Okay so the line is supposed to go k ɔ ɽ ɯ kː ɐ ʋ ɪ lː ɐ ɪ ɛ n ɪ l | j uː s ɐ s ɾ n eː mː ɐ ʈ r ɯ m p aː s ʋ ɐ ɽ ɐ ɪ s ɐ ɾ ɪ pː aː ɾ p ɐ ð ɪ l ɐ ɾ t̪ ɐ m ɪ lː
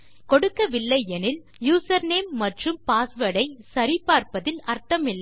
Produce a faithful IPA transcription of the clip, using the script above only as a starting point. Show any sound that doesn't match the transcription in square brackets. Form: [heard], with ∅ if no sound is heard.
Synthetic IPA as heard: k ɔ ɽ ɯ kː ɐ ʋ ɪ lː ɐ ɪ ɛ n ɪ l | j uː s ɐ [∅] ɾ n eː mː ɐ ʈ r ɯ m p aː s ʋ ɐ ɽ ɐ ɪ s ɐ ɾ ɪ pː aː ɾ p ɐ ð ɪ l ɐ ɾ t̪ ɐ m ɪ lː